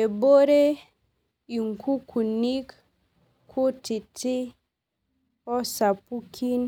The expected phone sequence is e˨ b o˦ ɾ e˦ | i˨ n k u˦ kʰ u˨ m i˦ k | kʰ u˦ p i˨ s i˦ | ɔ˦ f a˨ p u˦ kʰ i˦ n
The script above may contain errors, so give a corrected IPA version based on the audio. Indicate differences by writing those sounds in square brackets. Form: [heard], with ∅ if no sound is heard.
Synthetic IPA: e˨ b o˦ ɾ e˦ | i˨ [ŋ] k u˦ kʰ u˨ [n] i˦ k | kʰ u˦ [t] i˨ [t] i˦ | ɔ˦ [s] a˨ p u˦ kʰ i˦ n